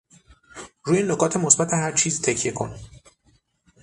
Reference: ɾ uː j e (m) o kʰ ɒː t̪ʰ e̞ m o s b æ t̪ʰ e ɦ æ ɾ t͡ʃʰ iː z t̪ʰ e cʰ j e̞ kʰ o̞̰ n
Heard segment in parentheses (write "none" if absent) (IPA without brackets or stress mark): n